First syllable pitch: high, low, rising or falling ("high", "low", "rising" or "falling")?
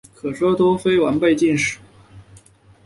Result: low